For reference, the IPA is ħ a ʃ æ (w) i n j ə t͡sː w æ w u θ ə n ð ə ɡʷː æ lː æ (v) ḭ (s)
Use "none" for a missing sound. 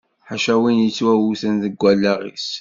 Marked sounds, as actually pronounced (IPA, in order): w, ʁ, s

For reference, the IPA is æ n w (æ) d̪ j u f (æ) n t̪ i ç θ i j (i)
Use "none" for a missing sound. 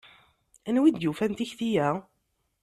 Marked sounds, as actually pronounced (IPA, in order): i, æ, æ

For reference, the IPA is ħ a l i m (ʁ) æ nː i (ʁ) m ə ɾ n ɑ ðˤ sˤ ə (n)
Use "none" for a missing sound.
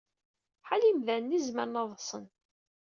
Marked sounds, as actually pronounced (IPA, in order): ð, z, n

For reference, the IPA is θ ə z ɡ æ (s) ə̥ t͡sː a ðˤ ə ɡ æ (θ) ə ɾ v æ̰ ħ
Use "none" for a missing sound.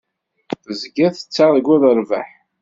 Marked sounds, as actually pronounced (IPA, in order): θ, ð

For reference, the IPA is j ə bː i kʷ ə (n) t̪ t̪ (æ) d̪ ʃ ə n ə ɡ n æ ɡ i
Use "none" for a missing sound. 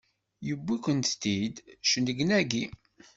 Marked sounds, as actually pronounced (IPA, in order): n, i

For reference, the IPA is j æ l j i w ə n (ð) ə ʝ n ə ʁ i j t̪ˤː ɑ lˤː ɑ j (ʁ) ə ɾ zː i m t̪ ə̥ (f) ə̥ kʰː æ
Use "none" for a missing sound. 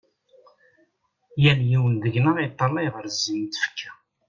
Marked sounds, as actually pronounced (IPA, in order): ð, ʁ, f

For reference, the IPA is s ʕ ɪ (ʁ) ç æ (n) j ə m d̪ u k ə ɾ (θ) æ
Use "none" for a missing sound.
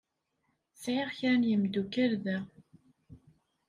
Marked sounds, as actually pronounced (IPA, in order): ʁ, n, ð

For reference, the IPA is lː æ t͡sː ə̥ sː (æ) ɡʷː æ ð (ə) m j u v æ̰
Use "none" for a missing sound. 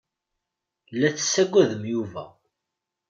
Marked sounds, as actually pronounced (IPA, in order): æ, ə

